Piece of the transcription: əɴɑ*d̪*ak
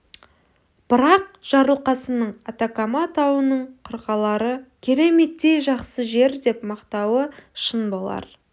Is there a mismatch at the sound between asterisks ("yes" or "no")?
yes